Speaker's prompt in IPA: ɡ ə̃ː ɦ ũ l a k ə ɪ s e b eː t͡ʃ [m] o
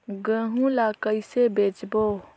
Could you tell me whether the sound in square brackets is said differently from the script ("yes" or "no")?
yes